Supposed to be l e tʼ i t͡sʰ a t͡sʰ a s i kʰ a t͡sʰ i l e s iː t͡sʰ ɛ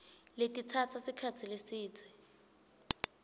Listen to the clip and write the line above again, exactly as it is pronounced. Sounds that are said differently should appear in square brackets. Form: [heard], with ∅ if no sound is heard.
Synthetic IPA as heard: l e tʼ i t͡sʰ a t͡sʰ a s i kʰ a t͡sʰ i l e s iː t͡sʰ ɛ